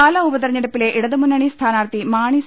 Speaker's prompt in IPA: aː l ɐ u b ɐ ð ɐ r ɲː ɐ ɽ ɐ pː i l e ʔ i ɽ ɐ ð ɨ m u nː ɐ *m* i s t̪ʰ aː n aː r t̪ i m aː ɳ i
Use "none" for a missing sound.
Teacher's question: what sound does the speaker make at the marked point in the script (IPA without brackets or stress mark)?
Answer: ɳ